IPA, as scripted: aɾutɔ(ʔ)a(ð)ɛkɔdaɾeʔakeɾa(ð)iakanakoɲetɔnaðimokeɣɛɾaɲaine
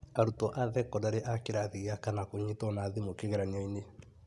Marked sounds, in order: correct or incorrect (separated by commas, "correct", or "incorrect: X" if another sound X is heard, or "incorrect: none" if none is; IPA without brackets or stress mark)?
correct, correct, correct